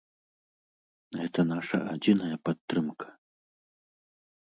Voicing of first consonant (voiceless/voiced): voiced